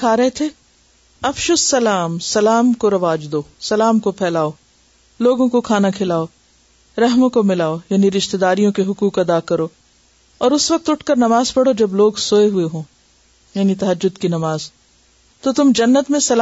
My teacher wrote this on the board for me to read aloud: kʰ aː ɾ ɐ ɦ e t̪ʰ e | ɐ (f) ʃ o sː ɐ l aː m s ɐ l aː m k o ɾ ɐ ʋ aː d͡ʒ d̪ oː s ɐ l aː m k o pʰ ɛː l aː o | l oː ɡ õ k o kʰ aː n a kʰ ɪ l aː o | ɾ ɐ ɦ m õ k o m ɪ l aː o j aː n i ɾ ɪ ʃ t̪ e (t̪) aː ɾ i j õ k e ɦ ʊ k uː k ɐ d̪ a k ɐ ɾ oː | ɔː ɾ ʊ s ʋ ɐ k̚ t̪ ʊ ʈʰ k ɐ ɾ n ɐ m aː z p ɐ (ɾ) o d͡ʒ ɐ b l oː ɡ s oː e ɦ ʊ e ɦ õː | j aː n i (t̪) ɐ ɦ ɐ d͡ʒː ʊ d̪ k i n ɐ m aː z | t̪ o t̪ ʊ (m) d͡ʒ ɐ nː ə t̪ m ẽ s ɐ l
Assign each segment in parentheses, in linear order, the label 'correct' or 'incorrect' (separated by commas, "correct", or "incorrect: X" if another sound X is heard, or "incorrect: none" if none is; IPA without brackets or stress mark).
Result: correct, incorrect: d̪, incorrect: ɽ, correct, correct